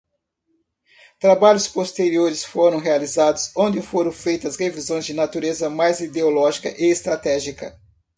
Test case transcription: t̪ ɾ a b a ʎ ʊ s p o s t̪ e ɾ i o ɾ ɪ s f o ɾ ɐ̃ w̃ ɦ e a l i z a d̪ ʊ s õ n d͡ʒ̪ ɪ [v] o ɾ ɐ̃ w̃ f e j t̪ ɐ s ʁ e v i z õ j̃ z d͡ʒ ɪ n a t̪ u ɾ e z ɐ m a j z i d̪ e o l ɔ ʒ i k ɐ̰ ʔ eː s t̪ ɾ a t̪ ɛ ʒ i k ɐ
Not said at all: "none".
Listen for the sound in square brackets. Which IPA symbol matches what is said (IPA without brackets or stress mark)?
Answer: f